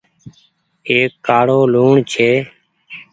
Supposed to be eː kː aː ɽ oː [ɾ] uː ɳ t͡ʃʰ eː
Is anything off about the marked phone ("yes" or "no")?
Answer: yes